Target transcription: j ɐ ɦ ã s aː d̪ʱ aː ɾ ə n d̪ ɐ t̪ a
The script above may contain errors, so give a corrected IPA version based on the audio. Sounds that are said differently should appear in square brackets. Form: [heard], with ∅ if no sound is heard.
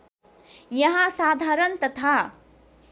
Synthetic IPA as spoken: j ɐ ɦ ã s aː d̪ʱ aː ɾ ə n [t̪] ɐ [t̪ʰ] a